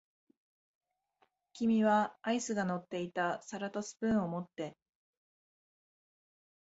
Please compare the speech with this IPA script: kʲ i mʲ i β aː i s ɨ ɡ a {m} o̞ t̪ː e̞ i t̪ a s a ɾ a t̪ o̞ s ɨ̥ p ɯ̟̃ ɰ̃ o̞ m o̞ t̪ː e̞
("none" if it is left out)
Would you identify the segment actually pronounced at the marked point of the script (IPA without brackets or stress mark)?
n